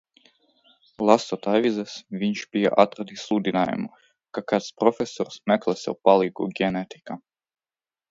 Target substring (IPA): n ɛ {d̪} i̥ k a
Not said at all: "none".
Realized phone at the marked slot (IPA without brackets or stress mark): t̪